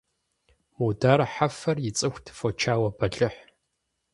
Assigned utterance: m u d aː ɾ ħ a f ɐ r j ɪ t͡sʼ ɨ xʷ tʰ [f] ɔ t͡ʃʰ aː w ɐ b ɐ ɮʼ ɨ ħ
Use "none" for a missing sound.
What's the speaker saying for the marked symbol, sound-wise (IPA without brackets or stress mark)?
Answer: f